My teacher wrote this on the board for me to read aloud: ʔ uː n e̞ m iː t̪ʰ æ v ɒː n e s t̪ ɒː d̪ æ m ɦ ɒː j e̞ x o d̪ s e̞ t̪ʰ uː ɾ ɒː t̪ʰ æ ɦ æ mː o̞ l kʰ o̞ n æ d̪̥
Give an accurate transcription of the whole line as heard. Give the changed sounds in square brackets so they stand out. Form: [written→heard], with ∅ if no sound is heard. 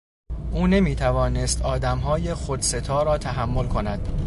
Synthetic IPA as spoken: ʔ uː n e̞ m iː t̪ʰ æ v ɒː n e s t̪ ɒː d̪ æ m ɦ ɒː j e̞ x o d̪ s e̞ t̪ʰ [uː→ɒː] ɾ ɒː t̪ʰ æ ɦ æ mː o̞ l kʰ o̞ n æ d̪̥